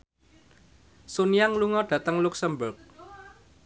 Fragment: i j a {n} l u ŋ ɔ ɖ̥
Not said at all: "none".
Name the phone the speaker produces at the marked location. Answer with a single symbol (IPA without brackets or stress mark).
ŋ